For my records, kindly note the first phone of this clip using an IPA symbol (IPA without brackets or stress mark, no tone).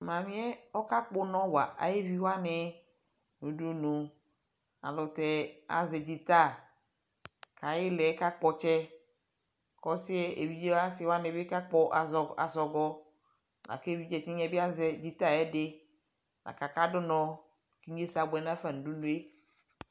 m